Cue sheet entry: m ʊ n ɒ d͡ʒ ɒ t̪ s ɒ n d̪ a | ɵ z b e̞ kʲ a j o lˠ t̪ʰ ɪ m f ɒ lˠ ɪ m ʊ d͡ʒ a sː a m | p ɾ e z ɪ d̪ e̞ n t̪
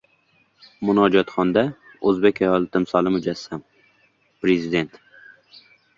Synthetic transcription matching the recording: m ʊ n ɒ d͡ʒ ɒ t̪ χ ɒ n d̪ a | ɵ z b e̞ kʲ a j ɒ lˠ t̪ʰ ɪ m s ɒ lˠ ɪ m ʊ d͡ʒ a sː a m | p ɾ e z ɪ d̪ e̞ n t̪